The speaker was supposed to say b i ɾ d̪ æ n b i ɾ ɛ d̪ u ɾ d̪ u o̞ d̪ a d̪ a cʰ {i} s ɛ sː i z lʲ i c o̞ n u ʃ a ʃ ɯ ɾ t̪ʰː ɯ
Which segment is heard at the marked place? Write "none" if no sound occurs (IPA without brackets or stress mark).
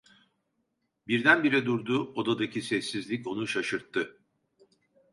i